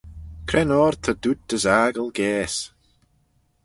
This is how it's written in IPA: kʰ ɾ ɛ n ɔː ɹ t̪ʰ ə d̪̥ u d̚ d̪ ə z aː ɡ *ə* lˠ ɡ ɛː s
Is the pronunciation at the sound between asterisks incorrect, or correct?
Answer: correct